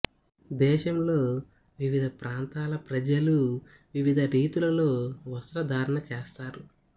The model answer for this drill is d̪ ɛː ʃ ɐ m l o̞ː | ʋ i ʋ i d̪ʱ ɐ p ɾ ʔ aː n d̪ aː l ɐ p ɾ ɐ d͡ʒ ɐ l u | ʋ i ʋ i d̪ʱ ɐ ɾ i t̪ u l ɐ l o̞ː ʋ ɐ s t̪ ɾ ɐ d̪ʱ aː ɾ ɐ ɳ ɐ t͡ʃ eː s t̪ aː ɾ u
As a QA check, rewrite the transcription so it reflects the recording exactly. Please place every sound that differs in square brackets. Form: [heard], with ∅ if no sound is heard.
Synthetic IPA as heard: d̪ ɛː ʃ ɐ m l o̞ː | ʋ i ʋ i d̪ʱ ɐ p ɾ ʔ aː n [t̪] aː l ɐ p ɾ ɐ d͡ʒ ɐ l u | ʋ i ʋ i d̪ʱ ɐ ɾ [iː] t̪ u l ɐ l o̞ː ʋ ɐ s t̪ ɾ ɐ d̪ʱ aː ɾ ɐ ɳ ɐ t͡ʃ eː s t̪ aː ɾ u